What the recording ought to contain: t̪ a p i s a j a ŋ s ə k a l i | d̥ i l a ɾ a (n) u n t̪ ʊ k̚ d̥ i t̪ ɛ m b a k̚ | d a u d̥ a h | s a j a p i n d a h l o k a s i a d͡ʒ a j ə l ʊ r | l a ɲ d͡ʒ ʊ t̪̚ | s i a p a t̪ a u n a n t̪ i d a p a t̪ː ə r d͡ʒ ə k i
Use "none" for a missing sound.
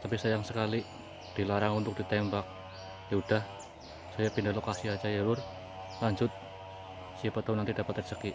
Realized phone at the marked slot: ŋ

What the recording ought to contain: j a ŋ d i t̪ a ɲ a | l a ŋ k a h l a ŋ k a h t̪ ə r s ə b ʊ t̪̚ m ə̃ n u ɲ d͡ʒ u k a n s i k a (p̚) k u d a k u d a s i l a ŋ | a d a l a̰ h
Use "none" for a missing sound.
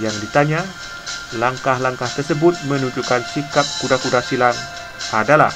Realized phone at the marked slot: p̚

